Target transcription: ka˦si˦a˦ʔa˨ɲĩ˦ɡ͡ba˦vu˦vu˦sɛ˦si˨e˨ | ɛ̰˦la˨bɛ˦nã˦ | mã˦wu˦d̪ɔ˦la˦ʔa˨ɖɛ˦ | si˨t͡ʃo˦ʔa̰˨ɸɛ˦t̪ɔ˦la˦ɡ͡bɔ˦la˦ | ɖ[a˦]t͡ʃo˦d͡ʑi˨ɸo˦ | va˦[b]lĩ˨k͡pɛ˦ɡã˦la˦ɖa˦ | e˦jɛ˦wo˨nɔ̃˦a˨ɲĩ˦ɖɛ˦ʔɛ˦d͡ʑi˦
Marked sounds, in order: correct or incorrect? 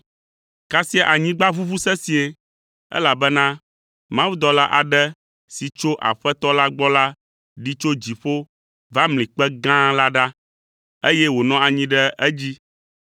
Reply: incorrect, incorrect

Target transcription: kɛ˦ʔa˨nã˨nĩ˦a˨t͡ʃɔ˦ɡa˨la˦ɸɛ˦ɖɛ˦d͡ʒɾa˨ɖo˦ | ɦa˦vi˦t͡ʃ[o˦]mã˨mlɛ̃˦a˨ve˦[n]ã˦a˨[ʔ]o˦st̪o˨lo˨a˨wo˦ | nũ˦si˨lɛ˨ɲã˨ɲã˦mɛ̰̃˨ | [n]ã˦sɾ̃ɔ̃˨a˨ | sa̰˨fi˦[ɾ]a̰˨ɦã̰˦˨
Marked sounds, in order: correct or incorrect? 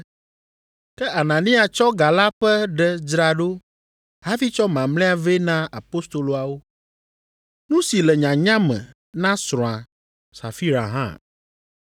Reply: incorrect, correct, incorrect, correct, correct

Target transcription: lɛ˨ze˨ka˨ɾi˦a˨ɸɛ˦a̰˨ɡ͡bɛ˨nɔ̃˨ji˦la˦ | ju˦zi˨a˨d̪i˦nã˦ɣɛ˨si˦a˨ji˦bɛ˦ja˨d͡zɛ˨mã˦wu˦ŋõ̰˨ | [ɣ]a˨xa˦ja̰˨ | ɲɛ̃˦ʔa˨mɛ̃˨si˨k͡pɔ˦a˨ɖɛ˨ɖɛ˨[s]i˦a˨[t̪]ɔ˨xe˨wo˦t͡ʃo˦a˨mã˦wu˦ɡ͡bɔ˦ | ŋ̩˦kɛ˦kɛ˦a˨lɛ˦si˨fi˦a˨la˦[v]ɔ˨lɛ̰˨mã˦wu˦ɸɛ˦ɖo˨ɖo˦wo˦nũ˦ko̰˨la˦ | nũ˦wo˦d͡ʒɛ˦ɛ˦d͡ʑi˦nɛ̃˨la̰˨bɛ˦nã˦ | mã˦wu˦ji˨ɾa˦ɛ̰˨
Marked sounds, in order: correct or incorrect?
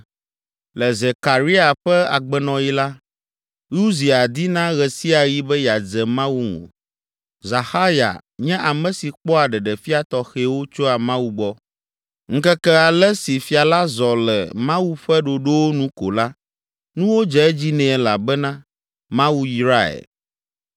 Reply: incorrect, incorrect, correct, incorrect

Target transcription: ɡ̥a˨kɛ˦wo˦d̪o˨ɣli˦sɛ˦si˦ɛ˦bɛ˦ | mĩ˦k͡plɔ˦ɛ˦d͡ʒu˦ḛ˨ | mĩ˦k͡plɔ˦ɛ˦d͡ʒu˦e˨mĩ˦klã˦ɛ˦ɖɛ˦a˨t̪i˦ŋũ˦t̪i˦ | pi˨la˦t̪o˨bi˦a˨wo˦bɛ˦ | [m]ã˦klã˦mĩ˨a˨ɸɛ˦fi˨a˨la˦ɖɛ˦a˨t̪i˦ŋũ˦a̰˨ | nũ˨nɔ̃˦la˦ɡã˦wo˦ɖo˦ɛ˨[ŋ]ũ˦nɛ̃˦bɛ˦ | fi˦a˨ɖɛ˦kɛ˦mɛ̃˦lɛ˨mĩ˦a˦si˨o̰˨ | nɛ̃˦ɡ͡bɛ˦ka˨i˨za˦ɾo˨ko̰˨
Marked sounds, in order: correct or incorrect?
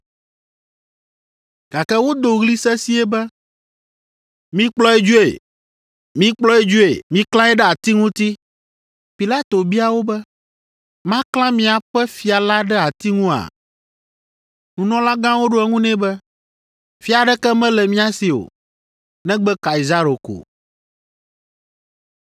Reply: correct, correct

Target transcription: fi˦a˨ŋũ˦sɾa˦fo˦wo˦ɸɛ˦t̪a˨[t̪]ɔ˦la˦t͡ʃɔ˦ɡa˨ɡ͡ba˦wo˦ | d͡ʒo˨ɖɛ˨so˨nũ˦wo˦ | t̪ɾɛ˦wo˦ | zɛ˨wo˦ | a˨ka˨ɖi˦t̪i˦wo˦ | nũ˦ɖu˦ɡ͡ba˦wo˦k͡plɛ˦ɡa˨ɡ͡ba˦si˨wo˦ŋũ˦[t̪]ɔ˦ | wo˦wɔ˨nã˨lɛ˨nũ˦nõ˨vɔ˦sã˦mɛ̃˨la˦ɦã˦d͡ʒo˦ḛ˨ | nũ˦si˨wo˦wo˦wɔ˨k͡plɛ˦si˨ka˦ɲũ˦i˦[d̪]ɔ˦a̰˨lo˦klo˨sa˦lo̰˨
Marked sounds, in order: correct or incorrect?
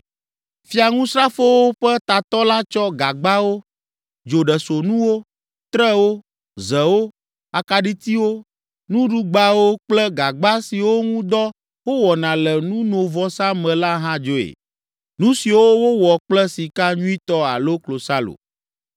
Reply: correct, incorrect, incorrect

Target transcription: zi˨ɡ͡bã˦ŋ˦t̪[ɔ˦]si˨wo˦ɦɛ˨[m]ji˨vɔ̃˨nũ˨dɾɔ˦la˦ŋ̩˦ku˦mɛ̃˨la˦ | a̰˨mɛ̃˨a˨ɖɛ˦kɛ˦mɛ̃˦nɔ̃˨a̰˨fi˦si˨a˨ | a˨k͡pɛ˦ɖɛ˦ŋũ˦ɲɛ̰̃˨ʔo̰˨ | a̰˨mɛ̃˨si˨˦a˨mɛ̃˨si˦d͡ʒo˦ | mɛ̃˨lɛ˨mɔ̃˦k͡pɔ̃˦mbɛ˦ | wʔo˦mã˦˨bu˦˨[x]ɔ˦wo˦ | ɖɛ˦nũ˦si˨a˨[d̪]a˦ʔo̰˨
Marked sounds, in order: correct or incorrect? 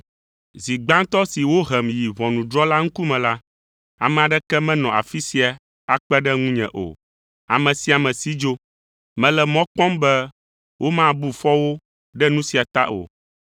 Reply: correct, correct, incorrect, incorrect

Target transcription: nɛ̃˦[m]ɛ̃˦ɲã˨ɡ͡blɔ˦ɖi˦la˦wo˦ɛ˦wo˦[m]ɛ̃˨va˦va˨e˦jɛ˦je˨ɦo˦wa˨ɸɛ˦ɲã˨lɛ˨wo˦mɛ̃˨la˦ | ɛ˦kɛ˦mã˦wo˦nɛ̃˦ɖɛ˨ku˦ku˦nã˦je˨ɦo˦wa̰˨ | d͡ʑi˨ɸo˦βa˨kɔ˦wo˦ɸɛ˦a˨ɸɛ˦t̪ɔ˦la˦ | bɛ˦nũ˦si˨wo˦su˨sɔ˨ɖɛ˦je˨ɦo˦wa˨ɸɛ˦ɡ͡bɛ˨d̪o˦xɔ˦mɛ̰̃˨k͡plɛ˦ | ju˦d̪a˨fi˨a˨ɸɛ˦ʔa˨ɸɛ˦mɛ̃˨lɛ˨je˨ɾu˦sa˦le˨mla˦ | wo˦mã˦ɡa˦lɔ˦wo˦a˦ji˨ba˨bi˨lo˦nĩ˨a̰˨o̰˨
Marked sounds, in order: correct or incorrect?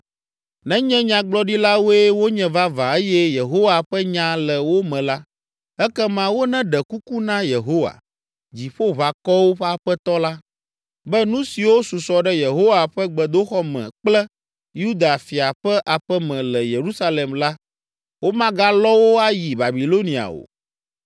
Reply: incorrect, incorrect

